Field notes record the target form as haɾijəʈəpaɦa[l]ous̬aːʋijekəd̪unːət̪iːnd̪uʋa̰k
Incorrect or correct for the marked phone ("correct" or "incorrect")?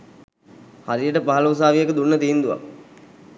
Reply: correct